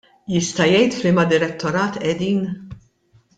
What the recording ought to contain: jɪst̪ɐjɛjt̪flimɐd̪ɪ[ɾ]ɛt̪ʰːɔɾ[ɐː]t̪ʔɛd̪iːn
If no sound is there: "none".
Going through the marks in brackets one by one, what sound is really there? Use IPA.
ɾ, ɐː

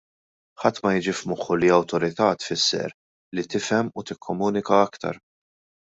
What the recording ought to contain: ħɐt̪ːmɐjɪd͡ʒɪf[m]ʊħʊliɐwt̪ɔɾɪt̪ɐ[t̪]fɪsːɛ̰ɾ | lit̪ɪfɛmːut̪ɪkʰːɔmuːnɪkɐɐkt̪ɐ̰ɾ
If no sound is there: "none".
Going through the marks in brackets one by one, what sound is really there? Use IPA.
m, t̪

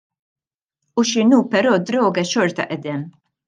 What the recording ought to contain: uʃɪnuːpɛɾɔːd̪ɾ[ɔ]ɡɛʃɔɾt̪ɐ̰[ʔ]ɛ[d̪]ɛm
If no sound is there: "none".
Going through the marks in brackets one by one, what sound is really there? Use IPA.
ɔː, ʔ, d̪

